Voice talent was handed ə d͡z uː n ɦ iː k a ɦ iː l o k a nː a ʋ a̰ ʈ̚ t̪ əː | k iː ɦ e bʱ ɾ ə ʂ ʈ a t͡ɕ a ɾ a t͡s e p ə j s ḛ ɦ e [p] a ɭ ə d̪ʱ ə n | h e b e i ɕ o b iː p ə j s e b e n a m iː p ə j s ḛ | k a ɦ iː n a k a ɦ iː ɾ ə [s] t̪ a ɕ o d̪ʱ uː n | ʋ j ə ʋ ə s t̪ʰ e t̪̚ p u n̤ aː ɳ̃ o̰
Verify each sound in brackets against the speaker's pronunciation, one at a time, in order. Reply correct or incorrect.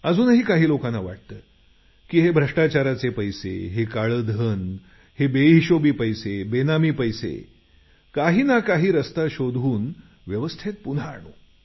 incorrect, correct

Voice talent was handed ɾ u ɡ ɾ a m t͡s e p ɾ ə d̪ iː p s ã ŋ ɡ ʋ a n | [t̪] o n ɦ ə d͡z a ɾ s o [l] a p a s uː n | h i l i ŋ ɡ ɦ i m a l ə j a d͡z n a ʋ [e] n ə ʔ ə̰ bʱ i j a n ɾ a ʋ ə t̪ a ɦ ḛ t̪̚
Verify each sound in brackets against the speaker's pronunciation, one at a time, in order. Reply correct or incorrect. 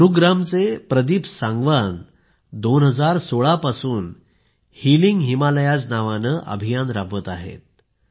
incorrect, incorrect, incorrect

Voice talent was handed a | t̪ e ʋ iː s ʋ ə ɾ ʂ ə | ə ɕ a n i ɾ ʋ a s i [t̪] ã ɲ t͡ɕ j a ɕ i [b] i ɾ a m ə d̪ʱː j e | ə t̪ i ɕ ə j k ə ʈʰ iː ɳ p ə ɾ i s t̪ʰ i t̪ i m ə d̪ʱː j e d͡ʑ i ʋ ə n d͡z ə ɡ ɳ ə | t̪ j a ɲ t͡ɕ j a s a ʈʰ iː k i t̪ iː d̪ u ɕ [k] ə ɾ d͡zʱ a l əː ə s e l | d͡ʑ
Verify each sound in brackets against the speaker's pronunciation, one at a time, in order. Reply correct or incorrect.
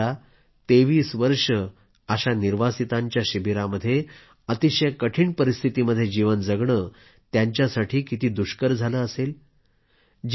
correct, correct, correct

